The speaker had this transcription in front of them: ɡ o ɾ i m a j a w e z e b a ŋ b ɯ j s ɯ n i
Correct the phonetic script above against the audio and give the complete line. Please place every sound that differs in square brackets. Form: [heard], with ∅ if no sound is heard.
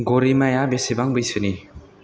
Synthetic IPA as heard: ɡ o ɾ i m a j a [b] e [s] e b a ŋ b ɯ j s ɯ n i